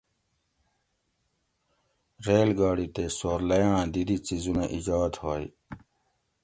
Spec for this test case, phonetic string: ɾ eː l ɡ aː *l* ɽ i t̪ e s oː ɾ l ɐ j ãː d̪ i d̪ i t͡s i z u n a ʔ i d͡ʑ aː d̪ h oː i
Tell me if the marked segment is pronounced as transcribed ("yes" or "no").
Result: no